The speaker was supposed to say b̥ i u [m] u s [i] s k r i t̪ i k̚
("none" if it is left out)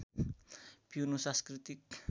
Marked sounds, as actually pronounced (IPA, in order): n, a

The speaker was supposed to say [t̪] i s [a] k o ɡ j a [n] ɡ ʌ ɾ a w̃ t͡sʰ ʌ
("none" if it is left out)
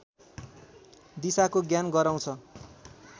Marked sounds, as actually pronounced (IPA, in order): d̪, a, n

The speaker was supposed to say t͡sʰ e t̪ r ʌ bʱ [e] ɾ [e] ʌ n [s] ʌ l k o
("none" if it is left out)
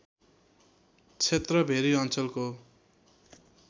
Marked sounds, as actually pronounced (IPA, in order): e, i, t͡s

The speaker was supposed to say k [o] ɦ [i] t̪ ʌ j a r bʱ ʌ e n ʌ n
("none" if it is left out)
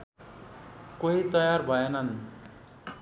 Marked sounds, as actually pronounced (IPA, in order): o, i

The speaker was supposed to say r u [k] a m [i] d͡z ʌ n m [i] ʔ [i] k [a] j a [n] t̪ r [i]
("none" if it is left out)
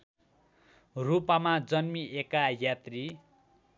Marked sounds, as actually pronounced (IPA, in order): p, a, i, e, a, none, i

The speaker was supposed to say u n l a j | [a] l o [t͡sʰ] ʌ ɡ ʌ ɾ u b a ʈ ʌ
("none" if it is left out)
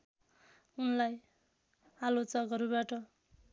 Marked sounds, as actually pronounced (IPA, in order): a, t͡s

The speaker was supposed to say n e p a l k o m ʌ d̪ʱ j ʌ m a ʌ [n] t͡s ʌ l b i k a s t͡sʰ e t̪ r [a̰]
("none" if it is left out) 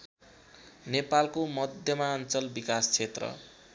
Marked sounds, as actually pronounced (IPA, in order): n, ʌ̰

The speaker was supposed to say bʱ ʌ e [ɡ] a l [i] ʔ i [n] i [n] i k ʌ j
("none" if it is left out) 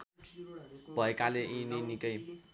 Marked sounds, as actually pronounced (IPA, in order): k, e, n, n

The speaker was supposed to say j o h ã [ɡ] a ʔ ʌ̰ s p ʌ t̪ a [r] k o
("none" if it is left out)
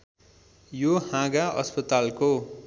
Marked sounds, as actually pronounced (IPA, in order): ɡ, l

